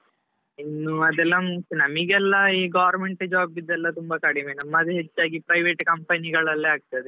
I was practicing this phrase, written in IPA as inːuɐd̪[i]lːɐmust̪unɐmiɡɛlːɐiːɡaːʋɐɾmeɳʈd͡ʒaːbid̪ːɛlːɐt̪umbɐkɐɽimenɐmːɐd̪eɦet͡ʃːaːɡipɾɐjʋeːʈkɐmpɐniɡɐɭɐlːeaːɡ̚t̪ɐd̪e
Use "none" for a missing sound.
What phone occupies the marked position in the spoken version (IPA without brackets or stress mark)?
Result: ɛ